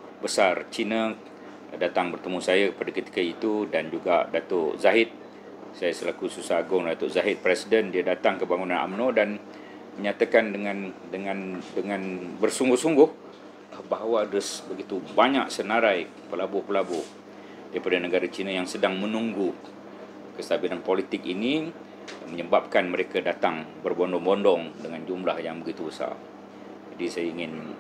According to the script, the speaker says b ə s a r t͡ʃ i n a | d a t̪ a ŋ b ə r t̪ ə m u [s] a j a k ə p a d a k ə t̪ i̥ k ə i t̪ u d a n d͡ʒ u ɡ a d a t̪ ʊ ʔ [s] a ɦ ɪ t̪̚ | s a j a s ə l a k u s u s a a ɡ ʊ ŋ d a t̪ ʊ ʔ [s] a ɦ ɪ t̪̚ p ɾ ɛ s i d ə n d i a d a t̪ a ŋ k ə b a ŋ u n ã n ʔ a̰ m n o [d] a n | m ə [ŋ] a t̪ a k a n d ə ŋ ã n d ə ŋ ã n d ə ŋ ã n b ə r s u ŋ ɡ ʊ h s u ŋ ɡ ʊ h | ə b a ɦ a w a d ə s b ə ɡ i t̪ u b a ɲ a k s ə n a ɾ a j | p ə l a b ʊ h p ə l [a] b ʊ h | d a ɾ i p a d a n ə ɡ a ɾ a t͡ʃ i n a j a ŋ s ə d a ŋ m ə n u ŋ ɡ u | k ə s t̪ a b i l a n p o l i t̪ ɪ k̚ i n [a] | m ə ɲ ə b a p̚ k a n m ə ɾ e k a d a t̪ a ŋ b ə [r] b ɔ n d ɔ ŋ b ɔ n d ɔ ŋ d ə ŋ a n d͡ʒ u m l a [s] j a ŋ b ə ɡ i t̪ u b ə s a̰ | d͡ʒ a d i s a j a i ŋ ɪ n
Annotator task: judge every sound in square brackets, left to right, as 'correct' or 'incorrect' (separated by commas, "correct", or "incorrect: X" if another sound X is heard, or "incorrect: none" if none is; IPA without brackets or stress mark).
correct, incorrect: z, incorrect: z, correct, incorrect: ɲ, correct, incorrect: i, correct, incorrect: h